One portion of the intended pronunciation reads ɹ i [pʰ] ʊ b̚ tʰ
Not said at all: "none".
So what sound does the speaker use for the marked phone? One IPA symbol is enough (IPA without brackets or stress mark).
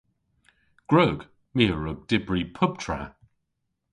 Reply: pʰ